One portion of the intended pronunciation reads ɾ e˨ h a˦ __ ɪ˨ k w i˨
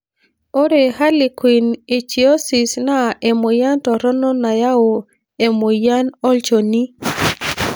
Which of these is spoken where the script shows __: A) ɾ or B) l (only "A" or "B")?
B